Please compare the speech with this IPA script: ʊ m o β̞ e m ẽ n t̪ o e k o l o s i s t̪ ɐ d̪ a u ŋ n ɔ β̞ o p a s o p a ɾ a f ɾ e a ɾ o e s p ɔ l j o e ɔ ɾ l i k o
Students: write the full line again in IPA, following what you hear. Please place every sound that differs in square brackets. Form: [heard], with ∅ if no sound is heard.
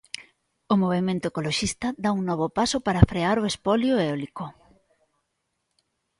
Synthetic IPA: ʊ m o β̞ e m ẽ n t̪ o e k o l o [ʃ] i s t̪ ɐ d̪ a u ŋ n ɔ β̞ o p a s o p a ɾ a f ɾ e a ɾ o e s p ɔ l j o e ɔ [∅] l i k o